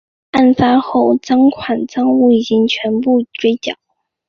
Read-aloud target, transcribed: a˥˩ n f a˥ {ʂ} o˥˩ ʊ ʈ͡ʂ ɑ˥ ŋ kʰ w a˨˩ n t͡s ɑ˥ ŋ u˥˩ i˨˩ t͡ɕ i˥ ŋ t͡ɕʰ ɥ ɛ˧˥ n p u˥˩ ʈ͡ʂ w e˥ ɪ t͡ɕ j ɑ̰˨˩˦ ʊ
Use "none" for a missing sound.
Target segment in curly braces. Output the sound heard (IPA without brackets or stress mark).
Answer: x